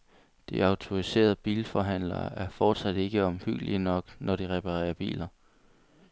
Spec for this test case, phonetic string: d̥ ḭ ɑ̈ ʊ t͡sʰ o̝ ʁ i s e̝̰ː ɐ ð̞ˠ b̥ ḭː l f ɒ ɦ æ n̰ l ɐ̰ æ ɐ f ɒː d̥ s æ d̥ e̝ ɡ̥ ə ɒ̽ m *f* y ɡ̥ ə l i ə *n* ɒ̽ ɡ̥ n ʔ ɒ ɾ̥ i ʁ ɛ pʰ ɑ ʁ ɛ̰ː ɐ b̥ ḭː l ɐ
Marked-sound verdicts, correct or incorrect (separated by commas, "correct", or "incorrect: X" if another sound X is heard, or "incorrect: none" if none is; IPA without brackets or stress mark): incorrect: h, correct